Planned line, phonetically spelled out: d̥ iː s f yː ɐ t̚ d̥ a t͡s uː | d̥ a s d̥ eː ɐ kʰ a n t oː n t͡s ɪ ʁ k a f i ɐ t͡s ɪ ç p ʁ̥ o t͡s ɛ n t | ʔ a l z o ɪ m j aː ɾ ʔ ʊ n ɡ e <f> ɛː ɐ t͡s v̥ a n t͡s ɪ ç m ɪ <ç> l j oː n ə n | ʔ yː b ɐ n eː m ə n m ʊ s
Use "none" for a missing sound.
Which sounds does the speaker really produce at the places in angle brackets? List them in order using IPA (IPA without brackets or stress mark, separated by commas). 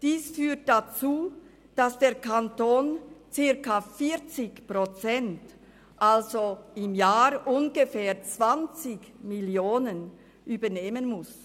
f, none